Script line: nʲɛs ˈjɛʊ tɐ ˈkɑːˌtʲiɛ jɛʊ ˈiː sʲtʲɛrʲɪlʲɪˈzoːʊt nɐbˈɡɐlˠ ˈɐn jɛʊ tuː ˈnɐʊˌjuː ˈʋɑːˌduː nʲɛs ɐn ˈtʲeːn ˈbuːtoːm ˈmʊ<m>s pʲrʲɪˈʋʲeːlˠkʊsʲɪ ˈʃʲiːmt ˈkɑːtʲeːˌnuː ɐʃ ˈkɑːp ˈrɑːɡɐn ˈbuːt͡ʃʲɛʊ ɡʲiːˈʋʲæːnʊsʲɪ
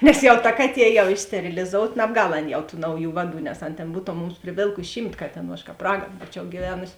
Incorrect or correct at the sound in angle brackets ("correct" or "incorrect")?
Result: correct